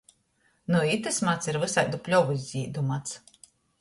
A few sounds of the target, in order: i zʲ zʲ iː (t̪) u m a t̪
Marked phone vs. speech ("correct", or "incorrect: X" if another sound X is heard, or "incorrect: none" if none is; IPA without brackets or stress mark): incorrect: d̪